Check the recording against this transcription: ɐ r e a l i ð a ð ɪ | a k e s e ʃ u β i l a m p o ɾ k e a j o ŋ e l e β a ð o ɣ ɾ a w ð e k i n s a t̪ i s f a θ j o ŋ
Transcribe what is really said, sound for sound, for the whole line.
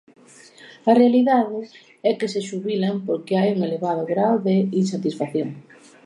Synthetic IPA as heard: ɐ r e a l i ð a ð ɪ | ɛ k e s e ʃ u β i l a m p o ɾ k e a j u ŋ e l e β a ð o ɣ ɾ a w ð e i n s a t̪ i s f a θ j o ŋ